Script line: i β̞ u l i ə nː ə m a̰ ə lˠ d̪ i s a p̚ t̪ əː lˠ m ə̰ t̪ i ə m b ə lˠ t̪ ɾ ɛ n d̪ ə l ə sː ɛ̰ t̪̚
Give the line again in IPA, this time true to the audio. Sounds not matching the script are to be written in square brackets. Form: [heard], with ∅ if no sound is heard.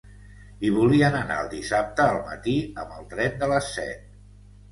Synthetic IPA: i β̞ u l i ə [n] ə [n] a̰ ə lˠ d̪ i s a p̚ t̪ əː lˠ m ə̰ t̪ i ə m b ə lˠ t̪ ɾ ɛ n d̪ ə l ə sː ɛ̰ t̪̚